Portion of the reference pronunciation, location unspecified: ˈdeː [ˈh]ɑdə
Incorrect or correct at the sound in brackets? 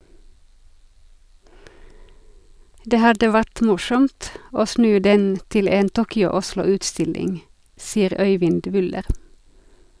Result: correct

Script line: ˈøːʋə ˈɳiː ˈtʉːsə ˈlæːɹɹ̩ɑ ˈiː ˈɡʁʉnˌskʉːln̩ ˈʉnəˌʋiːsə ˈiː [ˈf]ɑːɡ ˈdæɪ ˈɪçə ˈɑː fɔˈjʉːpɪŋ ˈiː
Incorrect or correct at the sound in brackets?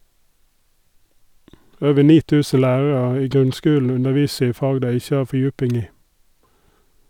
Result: correct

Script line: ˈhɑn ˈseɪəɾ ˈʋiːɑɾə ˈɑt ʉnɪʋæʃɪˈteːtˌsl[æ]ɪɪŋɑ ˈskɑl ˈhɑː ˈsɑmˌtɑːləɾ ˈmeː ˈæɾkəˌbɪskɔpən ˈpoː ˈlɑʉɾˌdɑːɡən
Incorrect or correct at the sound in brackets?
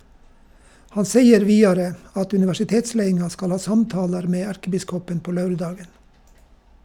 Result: incorrect: e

